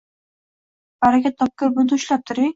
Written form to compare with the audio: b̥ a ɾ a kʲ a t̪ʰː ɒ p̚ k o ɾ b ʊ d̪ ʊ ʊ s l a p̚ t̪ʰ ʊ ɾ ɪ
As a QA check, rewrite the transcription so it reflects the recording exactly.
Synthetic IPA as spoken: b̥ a ɾ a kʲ a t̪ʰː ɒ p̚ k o ɾ b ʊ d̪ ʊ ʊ ʃ l a p̚ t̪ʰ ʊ ɾ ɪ